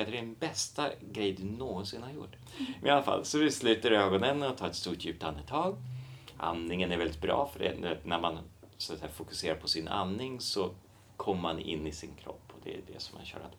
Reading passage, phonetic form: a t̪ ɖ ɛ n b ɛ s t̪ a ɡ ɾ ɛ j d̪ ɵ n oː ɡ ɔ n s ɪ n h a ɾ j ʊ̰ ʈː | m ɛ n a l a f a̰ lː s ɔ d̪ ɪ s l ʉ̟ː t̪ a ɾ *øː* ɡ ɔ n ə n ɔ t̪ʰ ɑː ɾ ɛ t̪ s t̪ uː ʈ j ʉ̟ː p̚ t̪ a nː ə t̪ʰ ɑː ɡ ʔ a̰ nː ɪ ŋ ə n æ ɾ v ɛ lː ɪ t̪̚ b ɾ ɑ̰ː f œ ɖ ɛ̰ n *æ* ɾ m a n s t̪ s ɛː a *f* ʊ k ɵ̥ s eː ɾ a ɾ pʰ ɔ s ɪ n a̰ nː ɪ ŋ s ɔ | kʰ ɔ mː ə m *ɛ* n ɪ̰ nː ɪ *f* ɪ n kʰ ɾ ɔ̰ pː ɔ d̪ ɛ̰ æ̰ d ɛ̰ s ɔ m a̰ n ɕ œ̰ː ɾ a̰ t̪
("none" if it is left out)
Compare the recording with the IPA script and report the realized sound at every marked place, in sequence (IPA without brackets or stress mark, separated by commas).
øː, æ, f, a, s